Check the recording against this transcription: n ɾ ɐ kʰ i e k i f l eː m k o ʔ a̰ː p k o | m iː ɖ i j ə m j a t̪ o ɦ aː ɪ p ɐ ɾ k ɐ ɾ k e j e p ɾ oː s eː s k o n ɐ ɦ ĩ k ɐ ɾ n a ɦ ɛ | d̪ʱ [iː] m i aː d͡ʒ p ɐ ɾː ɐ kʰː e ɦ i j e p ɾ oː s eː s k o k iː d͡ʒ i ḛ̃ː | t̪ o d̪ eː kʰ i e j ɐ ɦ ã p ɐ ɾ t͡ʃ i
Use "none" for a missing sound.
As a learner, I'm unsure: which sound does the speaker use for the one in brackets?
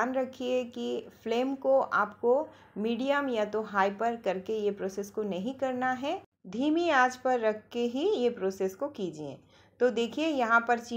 iː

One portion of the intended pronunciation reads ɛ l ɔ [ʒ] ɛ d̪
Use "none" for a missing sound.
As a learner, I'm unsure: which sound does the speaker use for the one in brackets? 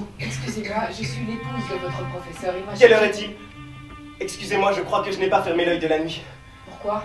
ʁ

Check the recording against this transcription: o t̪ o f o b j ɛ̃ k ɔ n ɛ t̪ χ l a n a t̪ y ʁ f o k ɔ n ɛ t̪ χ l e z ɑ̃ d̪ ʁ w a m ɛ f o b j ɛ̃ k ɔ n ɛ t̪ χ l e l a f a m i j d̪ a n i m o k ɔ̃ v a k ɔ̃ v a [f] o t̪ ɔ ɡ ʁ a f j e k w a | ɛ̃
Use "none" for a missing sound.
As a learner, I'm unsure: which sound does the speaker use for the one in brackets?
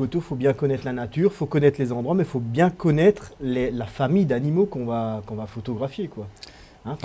f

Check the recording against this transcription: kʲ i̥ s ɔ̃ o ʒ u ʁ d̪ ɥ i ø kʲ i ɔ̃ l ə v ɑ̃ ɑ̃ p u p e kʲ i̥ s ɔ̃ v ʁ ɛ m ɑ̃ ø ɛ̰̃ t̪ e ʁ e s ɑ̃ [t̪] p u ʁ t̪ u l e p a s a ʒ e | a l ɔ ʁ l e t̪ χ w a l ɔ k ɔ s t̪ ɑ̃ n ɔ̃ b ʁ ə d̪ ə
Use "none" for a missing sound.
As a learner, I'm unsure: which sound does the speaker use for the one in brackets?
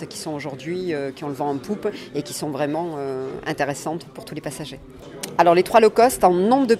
t̪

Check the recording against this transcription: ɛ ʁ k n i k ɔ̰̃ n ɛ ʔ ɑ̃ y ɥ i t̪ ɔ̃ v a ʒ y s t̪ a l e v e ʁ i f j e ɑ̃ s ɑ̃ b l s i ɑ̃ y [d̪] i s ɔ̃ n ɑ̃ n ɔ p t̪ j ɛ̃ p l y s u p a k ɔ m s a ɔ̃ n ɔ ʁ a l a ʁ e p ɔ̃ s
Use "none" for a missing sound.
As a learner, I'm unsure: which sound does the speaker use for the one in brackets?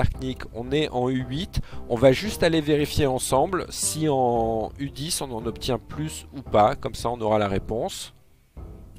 d̪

